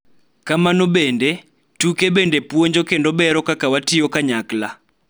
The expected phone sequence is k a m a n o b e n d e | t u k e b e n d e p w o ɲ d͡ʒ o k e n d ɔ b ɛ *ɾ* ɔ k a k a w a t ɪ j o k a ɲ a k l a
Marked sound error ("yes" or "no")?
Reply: no